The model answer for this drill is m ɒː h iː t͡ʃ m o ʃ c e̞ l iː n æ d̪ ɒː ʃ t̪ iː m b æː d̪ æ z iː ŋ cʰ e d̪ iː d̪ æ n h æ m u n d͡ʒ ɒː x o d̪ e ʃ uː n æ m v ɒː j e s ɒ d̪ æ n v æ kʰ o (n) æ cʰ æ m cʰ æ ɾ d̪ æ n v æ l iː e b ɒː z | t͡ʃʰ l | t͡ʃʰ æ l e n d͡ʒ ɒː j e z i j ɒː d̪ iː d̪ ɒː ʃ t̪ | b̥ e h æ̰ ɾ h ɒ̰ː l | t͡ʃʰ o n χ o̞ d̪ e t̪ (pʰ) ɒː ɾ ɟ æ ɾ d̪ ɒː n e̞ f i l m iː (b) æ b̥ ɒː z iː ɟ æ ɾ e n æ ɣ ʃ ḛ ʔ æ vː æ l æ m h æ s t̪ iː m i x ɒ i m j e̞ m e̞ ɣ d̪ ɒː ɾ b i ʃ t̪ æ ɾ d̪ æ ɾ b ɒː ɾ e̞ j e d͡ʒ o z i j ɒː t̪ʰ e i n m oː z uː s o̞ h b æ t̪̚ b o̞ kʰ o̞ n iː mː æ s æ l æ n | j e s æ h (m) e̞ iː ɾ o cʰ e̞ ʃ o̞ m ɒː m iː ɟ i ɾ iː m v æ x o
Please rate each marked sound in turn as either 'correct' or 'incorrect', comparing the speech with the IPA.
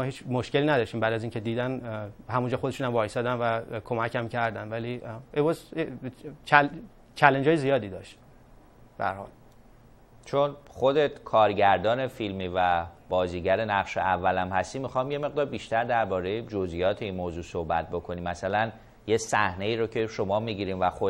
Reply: incorrect: m, incorrect: kʰ, incorrect: v, incorrect: n

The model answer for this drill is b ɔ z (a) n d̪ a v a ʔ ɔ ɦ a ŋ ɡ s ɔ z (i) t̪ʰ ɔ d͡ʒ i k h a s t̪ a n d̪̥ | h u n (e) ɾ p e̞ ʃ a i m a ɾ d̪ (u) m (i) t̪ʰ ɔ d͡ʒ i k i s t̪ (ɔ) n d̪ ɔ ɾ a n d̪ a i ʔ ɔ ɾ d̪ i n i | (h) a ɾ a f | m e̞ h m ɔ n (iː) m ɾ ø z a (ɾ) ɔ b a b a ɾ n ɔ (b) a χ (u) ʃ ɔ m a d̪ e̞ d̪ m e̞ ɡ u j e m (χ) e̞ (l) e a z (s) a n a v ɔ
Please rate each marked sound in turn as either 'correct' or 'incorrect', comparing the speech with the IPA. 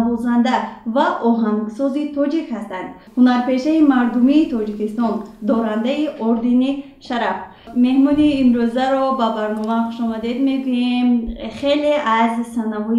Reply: correct, correct, incorrect: a, correct, incorrect: iː, correct, incorrect: ʃ, correct, correct, incorrect: m, correct, correct, correct, correct

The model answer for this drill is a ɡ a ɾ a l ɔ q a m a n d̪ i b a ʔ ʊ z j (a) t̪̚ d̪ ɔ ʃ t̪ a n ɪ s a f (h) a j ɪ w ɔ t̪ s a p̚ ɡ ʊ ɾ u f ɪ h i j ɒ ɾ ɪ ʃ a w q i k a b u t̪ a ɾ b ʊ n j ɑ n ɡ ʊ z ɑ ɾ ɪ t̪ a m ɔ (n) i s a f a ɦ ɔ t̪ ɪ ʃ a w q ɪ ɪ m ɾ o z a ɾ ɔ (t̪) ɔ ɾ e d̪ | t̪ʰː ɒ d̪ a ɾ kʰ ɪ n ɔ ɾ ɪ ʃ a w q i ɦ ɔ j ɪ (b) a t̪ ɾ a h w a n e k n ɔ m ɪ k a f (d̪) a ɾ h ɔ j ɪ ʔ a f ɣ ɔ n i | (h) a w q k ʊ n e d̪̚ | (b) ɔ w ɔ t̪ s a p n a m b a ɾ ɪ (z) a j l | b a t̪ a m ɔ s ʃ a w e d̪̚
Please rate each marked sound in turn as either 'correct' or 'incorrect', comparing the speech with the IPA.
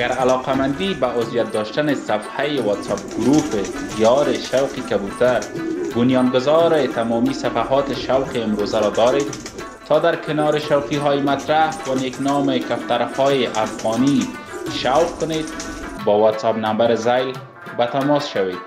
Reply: correct, correct, incorrect: m, incorrect: d̪, incorrect: m, incorrect: t̪, incorrect: ʃ, correct, correct

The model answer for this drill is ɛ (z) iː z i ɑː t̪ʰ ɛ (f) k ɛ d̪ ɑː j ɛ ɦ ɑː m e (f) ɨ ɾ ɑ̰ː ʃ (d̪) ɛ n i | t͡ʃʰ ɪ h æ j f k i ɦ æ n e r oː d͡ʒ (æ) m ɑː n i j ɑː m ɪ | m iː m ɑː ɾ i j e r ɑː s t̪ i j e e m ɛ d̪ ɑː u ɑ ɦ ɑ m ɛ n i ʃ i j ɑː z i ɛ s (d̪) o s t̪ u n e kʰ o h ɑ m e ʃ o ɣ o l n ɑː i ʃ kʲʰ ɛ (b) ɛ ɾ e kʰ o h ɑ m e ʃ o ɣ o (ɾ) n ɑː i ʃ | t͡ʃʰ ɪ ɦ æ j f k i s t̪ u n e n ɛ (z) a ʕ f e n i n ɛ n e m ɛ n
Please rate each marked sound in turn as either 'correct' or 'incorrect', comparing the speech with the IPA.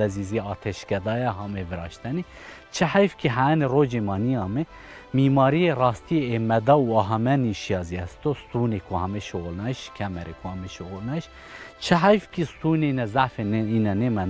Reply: correct, incorrect: ʃ, incorrect: v, incorrect: t̪, incorrect: e, incorrect: t̪, incorrect: m, incorrect: l, correct

